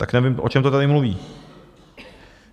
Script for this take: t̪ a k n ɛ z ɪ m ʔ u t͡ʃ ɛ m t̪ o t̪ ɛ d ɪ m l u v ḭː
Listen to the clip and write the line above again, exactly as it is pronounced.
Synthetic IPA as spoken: t̪ a k n ɛ v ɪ m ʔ o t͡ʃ ɛ m t̪ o t̪ a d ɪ m l u v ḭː